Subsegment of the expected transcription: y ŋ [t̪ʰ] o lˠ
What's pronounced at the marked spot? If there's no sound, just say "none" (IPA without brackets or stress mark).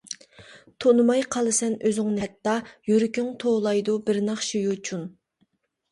t̪ʰ